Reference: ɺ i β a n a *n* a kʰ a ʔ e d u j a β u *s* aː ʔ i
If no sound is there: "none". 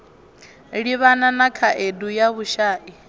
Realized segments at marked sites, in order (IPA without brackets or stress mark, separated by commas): n, ʃ